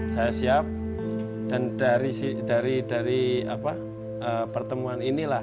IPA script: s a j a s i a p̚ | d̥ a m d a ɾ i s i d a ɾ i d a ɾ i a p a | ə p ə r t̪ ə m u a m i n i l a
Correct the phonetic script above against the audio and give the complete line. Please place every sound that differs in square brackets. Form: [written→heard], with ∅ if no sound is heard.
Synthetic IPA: s a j a s i a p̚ | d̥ a [m→n] d a ɾ i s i d a ɾ i d a ɾ i a p a | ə p ə r t̪ ə m u a [m→n] i n i l a